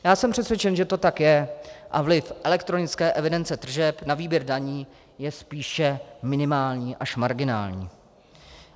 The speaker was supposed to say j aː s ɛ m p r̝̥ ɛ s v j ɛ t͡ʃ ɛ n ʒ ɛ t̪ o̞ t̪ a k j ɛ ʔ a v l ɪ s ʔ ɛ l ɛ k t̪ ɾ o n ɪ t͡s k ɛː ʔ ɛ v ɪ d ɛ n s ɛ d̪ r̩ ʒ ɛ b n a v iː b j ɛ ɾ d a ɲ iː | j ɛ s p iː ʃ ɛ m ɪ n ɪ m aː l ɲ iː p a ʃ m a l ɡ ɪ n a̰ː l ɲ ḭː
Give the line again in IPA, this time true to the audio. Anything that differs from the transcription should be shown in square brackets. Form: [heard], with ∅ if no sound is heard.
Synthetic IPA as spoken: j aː s ɛ m p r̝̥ ɛ s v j ɛ t͡ʃ ɛ n ʒ ɛ t̪ o̞ t̪ a k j ɛ ʔ a v l ɪ [f] ʔ ɛ l ɛ k t̪ ɾ o n ɪ t͡s k ɛː ʔ ɛ v ɪ d ɛ n [t͡s] ɛ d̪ r̩ ʒ ɛ [p] n a v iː b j ɛ ɾ d a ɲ iː | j ɛ s p iː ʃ ɛ m ɪ n ɪ m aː l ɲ iː [ʔ] a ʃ m a [ɾ] ɡ ɪ n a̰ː l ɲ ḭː